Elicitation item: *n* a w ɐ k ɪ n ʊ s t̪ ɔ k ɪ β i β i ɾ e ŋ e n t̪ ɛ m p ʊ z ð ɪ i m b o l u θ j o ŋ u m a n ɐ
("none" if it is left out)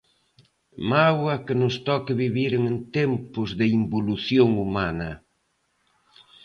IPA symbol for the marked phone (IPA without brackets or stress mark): m